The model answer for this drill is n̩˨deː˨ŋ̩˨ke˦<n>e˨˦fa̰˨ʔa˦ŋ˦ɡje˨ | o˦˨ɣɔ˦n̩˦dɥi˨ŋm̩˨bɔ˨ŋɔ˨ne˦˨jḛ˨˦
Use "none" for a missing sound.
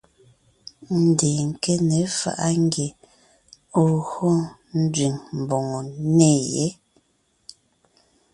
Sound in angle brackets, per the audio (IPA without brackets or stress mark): n